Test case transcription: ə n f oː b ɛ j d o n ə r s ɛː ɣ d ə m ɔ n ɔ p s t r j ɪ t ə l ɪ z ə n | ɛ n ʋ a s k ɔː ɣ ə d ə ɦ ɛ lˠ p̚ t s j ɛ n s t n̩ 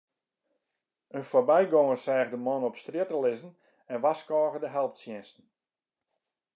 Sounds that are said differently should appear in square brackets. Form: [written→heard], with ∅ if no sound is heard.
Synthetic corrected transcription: ə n f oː b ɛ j [d→ɡ] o [n→ŋ] ə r s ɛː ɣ d ə m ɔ n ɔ p s t r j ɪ t ə l ɪ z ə n | ɛ n ʋ a s k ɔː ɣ ə d ə ɦ ɛ lˠ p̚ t s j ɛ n s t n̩